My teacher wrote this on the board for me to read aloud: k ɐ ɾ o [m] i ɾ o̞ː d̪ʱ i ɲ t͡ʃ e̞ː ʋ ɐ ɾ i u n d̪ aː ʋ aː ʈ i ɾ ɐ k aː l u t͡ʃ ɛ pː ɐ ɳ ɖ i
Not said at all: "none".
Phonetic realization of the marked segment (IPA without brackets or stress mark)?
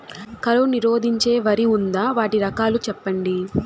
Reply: n